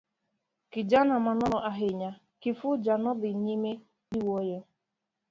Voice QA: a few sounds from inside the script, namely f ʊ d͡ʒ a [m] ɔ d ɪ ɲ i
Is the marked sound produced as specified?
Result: no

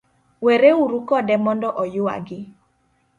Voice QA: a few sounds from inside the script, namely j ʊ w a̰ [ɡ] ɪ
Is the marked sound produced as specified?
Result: yes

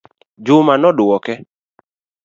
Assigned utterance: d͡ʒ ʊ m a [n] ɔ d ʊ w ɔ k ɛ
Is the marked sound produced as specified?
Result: yes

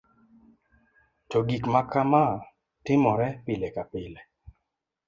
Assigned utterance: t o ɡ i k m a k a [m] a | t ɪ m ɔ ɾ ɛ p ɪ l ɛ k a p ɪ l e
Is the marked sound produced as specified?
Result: yes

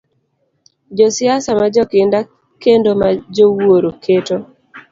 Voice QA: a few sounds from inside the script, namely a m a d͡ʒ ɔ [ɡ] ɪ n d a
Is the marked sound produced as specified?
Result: no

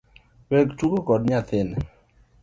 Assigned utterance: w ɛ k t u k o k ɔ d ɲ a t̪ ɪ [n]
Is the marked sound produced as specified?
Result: yes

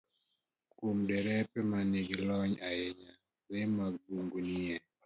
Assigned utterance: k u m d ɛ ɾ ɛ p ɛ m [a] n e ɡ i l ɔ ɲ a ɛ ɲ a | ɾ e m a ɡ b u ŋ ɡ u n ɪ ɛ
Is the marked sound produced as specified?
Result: yes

